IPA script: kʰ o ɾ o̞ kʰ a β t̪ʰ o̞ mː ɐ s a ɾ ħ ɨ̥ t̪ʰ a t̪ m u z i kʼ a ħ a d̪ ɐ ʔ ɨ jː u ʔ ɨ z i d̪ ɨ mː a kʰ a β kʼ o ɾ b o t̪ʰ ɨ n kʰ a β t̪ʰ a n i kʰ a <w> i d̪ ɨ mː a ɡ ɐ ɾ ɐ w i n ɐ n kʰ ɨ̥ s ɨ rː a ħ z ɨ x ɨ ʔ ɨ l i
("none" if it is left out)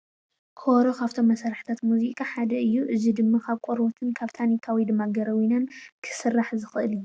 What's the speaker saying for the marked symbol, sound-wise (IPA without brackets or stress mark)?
w